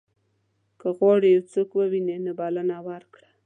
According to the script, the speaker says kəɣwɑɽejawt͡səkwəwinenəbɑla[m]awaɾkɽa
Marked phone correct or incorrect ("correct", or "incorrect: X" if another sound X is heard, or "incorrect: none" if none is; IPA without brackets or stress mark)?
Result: incorrect: n